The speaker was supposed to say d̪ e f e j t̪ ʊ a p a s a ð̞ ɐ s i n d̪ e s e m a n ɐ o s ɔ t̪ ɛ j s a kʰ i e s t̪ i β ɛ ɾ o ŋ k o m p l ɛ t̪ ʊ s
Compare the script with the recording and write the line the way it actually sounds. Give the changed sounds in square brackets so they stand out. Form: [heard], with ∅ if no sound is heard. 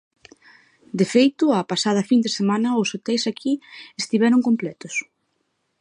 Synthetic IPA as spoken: d̪ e f e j t̪ ʊ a p a s a ð̞ ɐ [f] i n d̪ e s e m a n ɐ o s [o] t̪ ɛ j s a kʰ i e s t̪ i β ɛ ɾ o ŋ k o m p l ɛ t̪ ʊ s